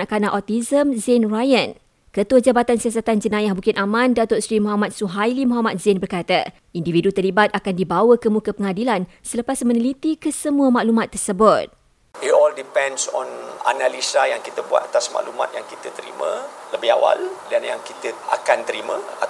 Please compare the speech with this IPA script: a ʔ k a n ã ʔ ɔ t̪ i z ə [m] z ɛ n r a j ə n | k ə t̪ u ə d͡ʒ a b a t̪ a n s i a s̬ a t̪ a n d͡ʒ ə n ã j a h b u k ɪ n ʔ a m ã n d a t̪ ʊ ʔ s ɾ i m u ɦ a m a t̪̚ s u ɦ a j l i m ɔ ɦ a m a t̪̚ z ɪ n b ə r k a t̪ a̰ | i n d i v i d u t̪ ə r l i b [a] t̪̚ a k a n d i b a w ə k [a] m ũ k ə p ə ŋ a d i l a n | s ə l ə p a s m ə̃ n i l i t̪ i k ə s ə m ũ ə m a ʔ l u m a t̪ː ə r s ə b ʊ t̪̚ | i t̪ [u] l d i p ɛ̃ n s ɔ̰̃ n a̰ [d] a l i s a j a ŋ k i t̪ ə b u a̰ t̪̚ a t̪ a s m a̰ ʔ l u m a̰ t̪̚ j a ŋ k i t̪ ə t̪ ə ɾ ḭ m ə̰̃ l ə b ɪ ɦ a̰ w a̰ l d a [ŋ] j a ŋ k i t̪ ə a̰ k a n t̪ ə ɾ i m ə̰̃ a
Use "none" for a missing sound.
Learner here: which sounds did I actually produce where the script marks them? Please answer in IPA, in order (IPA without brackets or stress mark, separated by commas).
m, a, ə, ɔ, n, n